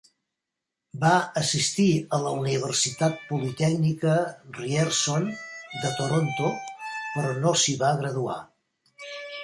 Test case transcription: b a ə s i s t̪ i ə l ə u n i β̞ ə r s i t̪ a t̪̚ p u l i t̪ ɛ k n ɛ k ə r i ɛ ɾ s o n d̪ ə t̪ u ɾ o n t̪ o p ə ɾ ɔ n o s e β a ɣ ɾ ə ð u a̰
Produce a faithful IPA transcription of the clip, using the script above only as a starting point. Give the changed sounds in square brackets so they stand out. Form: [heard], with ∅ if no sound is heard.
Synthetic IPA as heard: b a ə s i s t̪ i ə l ə u n i β̞ ə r s i t̪ a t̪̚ p u l i t̪ ɛ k n [i] k ə r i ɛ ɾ s o n d̪ ə t̪ [o] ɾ o n t̪ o p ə ɾ ɔ n o s [i] β a ɣ ɾ ə ð u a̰